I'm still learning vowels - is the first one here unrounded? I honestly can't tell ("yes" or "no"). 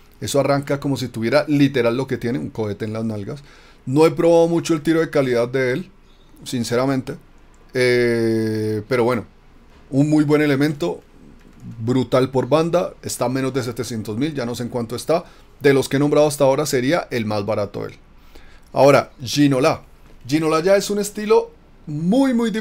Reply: yes